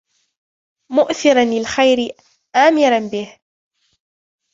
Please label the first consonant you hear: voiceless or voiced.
voiced